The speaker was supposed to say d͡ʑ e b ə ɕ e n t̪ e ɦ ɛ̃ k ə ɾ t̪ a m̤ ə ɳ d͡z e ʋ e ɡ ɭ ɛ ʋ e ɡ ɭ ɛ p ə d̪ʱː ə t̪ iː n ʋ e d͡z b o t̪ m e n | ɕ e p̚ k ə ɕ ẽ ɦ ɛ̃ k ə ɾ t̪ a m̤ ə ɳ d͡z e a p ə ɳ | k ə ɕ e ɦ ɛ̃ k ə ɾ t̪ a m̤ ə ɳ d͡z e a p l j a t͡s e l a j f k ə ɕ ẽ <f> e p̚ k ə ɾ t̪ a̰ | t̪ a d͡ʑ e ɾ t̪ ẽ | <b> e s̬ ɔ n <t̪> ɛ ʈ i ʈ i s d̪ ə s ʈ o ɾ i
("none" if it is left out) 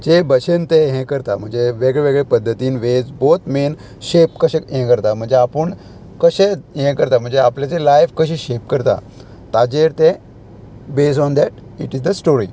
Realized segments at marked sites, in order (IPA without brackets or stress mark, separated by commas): ɕ, b, d̪